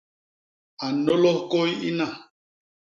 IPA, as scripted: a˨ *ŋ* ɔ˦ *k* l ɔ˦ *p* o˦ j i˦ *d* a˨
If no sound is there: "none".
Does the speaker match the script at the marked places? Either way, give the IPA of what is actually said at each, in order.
n, none, k, n

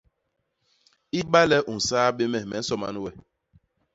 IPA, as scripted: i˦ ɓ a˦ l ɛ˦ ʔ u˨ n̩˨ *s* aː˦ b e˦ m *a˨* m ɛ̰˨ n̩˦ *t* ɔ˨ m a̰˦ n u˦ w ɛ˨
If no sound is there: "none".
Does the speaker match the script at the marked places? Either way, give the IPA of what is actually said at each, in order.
s, ɛ˨, s

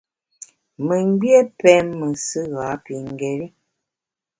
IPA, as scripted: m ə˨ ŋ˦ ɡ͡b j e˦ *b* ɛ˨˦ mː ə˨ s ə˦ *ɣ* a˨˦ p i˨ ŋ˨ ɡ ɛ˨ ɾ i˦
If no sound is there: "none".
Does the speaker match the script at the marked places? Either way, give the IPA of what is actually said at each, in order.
p, ɣ

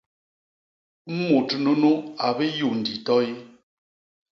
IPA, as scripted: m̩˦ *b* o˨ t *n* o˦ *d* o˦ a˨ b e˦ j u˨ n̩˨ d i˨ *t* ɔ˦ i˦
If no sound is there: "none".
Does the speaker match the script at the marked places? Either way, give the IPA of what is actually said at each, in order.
m, n, n, t

